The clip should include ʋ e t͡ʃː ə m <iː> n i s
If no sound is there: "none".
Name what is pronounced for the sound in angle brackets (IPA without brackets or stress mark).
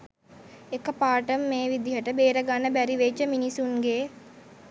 i